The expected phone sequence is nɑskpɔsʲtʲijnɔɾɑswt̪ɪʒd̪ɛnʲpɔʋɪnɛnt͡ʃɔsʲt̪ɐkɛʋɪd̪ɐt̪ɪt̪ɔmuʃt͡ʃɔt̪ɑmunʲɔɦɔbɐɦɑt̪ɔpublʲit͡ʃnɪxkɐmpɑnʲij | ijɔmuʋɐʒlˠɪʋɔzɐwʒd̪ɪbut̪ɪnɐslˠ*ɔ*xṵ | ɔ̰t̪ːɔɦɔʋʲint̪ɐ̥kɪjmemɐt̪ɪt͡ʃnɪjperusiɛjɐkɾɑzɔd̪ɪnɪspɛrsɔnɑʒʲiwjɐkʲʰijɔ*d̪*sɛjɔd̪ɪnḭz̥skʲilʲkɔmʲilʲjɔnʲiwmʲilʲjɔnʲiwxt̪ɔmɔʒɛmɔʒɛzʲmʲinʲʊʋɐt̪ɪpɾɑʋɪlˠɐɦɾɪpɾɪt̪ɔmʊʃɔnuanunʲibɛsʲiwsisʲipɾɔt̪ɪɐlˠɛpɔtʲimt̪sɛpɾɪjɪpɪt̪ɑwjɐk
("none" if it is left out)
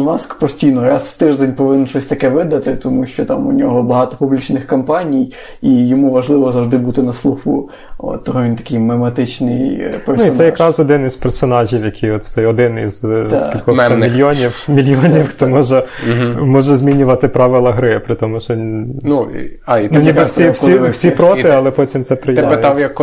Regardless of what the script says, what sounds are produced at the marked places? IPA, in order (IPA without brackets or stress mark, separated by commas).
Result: u, t̪